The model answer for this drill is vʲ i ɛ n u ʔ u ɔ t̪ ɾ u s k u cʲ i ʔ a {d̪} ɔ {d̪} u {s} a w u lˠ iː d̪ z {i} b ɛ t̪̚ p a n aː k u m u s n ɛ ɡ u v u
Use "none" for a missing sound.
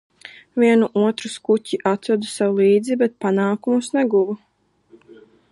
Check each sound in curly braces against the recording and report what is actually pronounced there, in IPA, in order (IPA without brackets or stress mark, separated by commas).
t̪, d̪, s, i